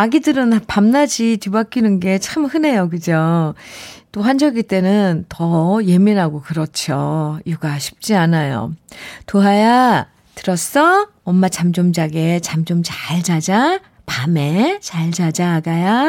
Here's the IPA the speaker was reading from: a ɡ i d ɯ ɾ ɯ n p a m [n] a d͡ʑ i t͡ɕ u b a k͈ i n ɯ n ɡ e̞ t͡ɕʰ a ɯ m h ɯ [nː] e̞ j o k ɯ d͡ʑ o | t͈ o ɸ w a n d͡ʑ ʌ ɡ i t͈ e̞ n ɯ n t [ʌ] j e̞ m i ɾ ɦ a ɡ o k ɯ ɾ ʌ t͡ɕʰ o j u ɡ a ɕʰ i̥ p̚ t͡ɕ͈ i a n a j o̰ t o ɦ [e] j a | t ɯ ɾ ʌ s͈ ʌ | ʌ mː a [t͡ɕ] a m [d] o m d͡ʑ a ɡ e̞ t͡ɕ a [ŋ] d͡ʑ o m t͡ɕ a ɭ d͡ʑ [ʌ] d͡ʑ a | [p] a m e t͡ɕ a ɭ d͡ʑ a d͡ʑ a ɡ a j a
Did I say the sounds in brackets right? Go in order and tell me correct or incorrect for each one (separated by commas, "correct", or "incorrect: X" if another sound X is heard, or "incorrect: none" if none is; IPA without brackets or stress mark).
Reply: correct, incorrect: n, correct, incorrect: a, correct, incorrect: d͡ʑ, incorrect: m, incorrect: a, correct